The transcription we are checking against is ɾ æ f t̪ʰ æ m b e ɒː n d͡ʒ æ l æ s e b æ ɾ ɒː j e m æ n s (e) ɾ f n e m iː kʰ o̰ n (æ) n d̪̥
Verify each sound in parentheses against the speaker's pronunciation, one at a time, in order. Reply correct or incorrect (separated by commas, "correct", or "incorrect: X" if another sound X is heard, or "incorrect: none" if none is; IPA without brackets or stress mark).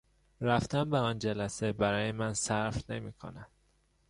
incorrect: æ, correct